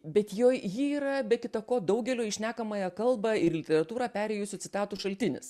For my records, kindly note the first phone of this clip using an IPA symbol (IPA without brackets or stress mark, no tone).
bʲ